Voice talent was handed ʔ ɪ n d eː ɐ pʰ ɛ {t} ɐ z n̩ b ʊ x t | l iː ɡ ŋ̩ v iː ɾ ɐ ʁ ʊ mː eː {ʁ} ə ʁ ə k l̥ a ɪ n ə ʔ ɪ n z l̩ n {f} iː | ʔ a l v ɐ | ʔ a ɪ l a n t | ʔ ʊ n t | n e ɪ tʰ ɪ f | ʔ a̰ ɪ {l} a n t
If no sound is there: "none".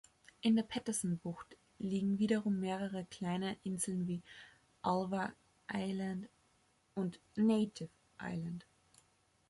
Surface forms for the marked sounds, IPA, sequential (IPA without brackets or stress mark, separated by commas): t, ʁ, v, l